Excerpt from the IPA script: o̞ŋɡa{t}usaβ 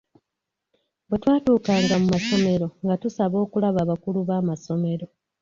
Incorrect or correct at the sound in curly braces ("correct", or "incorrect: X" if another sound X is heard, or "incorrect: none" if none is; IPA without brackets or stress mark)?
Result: correct